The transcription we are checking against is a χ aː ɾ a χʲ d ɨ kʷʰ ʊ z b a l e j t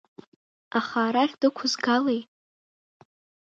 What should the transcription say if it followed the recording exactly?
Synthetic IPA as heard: a χ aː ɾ a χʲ d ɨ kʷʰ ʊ z ɡ a l e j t